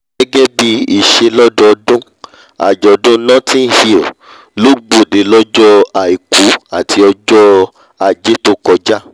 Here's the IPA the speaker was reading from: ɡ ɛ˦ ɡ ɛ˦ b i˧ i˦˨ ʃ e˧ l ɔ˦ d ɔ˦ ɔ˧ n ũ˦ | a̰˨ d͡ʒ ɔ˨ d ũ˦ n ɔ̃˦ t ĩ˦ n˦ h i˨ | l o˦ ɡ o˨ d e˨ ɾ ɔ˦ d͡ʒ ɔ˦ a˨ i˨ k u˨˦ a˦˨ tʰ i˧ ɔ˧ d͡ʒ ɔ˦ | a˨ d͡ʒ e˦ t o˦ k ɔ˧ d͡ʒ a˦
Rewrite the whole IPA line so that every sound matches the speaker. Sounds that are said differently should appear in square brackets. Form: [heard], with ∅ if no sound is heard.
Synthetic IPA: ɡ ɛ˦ ɡ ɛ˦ b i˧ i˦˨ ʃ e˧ l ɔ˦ d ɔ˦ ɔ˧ [d] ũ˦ | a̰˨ d͡ʒ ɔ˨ d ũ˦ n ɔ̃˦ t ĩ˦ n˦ h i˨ | l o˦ [ɡ͡b] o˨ d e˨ [l] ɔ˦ d͡ʒ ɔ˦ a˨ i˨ k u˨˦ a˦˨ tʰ i˧ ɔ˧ d͡ʒ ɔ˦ | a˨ d͡ʒ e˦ t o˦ k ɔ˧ d͡ʒ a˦